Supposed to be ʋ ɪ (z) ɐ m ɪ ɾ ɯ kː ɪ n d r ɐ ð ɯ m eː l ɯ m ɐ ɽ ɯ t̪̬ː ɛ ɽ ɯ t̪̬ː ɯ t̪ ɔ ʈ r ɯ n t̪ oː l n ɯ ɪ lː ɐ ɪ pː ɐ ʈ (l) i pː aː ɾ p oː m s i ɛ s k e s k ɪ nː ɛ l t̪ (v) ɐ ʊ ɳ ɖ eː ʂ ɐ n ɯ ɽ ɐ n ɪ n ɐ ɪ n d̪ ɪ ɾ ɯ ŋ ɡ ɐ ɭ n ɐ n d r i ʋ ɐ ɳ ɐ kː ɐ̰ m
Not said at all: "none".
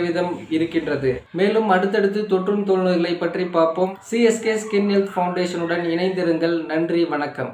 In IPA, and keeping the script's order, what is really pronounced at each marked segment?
ð, r, f

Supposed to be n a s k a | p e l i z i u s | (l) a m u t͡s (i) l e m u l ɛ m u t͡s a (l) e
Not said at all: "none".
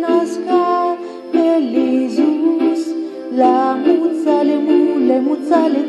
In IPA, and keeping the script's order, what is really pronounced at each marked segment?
l, a, l

